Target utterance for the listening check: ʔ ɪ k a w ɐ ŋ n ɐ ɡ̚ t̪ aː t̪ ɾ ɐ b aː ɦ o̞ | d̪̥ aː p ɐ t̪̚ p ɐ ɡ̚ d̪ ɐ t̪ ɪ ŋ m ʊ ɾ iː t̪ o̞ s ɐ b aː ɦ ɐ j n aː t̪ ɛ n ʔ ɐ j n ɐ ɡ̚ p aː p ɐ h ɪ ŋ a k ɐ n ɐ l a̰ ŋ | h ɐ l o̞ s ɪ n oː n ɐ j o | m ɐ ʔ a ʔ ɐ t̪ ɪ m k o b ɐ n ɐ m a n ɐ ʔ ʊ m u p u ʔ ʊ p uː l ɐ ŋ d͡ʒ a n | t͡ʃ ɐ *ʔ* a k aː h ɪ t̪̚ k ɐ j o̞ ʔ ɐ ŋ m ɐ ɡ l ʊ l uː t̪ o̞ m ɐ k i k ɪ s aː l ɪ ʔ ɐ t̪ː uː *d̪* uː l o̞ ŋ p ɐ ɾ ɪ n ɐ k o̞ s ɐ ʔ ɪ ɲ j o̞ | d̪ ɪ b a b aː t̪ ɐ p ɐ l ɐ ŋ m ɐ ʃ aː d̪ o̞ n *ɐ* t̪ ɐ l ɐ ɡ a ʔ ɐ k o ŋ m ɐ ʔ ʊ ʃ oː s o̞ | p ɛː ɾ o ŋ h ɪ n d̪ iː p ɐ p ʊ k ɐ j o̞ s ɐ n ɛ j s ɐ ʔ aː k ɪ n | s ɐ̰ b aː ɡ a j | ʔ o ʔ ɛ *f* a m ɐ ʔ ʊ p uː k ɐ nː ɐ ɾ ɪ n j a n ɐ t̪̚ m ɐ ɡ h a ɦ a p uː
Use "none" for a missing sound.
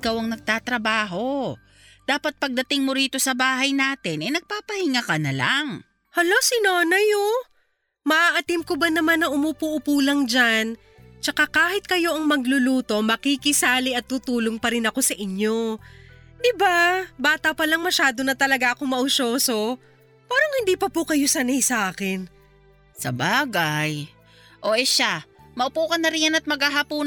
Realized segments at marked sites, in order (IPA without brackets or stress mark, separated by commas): k, t̪, ɐ, ʃ